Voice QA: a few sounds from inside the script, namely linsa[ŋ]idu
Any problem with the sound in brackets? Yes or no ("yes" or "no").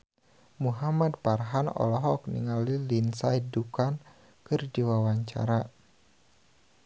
yes